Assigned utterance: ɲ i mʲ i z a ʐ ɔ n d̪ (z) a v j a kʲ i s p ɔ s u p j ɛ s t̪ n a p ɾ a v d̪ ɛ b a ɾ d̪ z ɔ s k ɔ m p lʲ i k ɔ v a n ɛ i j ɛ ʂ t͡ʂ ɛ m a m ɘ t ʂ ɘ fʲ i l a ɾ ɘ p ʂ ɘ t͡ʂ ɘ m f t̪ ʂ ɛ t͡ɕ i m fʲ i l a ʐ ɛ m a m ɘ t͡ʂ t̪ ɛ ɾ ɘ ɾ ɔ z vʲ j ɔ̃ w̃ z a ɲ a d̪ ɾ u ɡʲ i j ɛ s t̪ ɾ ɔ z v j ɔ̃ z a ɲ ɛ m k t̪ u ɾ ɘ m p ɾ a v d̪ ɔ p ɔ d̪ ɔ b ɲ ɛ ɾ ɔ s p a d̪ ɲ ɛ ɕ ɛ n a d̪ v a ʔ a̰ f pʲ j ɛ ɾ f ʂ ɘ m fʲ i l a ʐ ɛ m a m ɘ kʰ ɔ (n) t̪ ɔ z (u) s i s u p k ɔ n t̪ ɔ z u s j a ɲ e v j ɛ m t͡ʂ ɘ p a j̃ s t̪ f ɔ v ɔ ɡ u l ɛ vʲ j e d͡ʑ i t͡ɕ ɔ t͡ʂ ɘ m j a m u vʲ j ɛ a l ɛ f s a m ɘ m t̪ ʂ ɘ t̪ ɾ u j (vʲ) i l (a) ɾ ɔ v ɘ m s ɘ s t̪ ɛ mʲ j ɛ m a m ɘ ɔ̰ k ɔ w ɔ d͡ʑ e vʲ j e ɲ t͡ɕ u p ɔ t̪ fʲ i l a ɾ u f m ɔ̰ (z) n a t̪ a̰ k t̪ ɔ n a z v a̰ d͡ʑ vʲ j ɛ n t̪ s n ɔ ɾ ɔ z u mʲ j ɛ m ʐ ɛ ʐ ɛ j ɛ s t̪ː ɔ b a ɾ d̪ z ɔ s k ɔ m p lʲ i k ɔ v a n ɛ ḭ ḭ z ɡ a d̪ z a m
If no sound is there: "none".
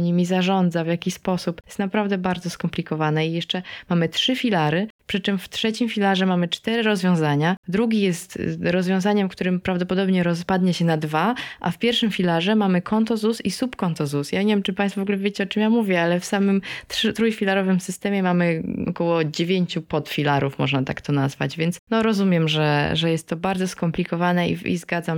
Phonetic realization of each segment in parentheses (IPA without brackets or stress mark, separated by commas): z, n, u, fʲ, a, ʐ